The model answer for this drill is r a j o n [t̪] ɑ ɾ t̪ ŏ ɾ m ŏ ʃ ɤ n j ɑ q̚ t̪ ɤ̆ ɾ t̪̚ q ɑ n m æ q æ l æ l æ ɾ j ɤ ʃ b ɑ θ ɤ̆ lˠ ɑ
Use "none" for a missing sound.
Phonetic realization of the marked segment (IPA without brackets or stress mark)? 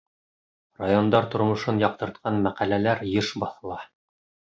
d̪